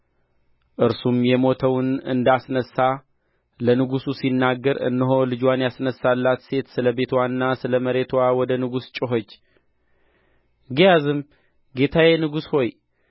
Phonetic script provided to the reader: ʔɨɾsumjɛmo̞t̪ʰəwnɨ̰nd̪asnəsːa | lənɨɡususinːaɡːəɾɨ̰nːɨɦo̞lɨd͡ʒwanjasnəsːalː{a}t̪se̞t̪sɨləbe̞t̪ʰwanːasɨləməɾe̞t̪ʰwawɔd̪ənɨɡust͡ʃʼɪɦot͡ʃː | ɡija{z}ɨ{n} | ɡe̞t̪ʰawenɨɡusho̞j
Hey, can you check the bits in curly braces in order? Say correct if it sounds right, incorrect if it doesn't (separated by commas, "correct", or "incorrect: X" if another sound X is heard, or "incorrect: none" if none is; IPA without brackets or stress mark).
correct, correct, incorrect: m